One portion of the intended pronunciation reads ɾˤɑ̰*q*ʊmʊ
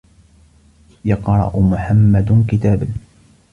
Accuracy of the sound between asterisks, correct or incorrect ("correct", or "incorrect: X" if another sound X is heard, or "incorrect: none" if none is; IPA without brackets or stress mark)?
incorrect: ʔ